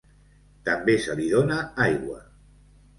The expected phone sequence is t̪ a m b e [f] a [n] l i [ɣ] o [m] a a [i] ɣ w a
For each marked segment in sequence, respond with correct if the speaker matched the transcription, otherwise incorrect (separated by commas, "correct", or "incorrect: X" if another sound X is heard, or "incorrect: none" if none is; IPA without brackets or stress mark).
incorrect: s, incorrect: none, incorrect: ð, incorrect: n, incorrect: j